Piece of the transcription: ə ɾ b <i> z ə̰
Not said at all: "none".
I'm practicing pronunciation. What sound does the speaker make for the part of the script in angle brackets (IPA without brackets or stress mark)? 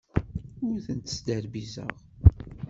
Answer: i